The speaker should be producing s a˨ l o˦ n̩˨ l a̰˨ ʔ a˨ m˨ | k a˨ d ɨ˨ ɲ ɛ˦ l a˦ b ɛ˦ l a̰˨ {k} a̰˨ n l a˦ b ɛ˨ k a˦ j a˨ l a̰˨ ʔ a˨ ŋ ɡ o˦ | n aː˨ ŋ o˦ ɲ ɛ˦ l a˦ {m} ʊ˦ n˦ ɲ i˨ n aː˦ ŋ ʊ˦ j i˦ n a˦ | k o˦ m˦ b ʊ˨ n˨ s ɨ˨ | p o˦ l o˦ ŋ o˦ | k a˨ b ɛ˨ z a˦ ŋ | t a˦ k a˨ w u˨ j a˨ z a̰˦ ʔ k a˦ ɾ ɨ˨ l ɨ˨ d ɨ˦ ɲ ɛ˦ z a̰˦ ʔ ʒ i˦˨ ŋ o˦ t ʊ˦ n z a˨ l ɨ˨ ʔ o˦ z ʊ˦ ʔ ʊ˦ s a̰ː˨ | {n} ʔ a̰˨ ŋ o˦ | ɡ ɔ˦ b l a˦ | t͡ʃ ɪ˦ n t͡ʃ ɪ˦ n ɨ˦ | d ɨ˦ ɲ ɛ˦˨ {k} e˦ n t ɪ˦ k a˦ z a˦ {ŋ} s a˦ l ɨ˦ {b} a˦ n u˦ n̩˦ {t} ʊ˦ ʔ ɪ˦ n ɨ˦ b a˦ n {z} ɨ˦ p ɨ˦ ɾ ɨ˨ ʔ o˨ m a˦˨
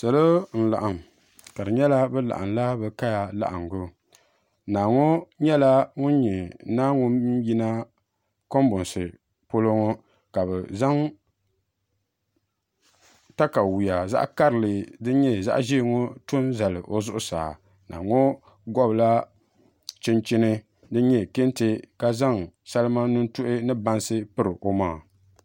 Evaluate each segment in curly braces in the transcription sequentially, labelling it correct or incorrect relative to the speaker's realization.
incorrect: ʔ, incorrect: ŋ, correct, correct, correct, incorrect: m, correct, incorrect: s

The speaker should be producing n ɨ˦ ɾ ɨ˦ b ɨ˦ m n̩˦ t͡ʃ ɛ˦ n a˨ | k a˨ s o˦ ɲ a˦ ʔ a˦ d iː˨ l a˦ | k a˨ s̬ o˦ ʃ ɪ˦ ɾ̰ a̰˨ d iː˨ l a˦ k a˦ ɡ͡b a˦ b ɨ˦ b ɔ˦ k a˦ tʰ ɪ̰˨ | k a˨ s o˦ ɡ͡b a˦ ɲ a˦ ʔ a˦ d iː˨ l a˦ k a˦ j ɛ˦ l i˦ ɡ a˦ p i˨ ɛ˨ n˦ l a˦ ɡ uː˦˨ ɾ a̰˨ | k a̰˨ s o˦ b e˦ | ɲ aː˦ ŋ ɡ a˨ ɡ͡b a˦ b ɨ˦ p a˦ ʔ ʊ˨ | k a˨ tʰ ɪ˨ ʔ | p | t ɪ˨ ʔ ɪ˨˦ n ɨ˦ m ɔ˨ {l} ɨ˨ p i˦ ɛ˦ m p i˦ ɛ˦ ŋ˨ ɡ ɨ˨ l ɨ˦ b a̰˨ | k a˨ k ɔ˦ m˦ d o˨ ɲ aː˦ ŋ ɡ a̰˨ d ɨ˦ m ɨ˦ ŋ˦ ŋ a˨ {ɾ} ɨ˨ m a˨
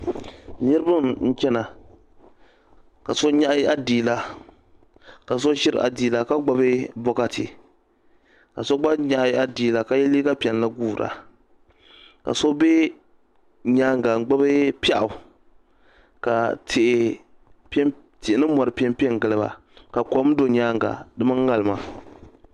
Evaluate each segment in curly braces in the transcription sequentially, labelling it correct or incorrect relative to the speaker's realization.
incorrect: ɾ, incorrect: l

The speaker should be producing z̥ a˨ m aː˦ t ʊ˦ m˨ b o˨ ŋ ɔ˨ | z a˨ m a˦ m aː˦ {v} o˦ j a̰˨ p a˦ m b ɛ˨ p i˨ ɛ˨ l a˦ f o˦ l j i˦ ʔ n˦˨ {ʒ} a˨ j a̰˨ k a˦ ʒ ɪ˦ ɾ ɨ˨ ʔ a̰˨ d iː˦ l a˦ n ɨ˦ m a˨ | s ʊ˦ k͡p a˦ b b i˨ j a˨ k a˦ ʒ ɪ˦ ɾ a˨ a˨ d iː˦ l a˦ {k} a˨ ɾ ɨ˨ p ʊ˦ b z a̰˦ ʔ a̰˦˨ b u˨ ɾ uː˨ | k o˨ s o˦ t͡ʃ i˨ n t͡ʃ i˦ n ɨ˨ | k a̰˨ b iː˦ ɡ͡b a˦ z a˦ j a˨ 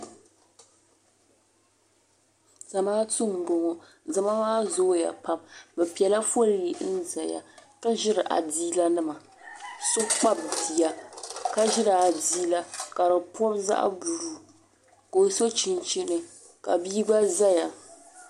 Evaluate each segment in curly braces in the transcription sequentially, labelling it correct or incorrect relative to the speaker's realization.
incorrect: z, incorrect: z, correct

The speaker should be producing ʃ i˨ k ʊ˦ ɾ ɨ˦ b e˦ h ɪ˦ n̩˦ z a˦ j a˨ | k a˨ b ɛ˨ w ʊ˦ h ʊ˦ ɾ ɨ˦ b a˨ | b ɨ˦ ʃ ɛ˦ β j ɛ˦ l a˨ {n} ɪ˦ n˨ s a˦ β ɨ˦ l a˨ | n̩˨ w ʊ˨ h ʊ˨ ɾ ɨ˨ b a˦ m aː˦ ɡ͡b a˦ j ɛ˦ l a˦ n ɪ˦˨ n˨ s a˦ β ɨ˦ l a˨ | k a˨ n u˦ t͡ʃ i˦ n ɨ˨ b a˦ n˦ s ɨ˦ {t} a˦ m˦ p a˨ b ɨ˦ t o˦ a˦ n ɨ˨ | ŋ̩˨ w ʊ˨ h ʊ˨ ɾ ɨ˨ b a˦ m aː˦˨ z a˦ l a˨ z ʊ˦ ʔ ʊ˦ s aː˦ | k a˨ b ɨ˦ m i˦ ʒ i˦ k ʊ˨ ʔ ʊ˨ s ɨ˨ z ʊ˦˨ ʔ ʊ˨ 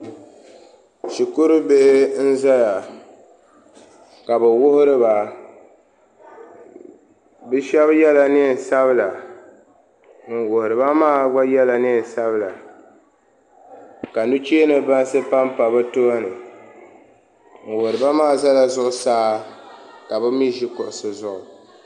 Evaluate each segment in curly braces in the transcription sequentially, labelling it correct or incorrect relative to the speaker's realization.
correct, incorrect: p

